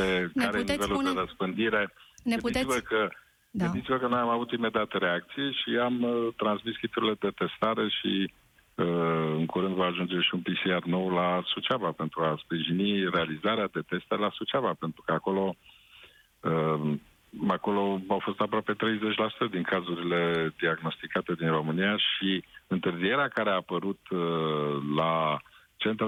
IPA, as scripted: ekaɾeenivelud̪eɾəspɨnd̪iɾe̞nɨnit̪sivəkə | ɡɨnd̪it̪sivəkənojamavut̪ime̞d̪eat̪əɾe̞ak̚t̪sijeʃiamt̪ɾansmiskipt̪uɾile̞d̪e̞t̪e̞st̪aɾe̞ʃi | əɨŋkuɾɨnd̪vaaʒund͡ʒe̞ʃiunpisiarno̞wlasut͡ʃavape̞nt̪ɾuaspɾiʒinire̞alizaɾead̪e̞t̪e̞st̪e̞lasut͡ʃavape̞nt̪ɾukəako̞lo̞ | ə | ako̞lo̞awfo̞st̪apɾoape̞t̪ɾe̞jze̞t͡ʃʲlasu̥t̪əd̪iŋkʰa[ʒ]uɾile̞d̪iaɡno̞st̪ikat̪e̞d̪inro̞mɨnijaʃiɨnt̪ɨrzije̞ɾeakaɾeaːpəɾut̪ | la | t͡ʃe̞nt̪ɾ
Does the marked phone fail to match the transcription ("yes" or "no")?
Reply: yes